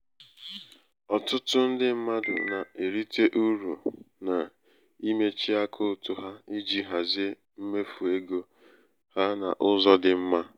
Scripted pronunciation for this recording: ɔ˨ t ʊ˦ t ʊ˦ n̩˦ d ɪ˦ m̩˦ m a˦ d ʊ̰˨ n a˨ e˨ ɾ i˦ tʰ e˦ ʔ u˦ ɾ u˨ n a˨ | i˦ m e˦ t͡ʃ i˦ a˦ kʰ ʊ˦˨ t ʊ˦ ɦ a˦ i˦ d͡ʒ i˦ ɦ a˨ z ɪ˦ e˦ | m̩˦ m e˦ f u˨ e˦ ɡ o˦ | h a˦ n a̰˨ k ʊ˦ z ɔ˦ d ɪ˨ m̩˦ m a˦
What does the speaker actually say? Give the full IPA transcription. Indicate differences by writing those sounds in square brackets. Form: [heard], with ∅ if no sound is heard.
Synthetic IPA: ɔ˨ t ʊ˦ t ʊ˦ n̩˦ d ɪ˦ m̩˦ m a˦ d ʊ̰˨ n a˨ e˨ ɾ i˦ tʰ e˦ ʔ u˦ ɾ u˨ n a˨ | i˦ m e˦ t͡ʃ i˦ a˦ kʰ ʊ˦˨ t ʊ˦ ɦ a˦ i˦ d͡ʒ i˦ ɦ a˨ z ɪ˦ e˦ | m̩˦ m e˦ f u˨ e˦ ɡ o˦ | h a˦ n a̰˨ [ʔ] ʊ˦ z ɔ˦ d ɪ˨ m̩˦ m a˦